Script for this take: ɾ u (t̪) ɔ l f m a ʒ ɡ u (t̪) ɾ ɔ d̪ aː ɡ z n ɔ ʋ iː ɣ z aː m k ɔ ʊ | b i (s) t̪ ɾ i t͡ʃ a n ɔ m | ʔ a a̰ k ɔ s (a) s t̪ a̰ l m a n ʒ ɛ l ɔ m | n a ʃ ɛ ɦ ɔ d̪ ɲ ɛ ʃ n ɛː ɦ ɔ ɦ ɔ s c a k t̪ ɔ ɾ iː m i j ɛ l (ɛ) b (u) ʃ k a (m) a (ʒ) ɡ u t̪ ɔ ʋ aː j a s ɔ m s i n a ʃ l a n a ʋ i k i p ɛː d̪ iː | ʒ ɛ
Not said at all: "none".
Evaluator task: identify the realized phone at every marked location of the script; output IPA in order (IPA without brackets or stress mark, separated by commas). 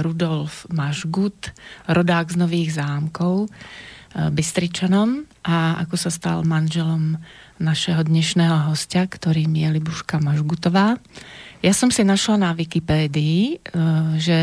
d̪, t̪, s, a, i, u, m, ʒ